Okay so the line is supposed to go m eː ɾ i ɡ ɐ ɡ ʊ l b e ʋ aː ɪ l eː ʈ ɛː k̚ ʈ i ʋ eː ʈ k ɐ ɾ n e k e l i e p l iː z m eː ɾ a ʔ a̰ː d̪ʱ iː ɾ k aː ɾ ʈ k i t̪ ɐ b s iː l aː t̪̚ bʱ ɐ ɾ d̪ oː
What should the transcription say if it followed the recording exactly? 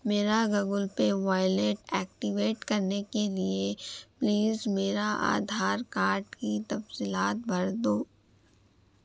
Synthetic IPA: m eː ɾ a ɡ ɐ ɡ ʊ l p e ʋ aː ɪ l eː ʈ ɛː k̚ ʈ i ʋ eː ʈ k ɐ ɾ n e k e l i e p l iː z m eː ɾ a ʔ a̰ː d̪ʱ aː ɾ k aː ɾ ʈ k i t̪ ɐ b s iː l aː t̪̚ bʱ ɐ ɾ d̪ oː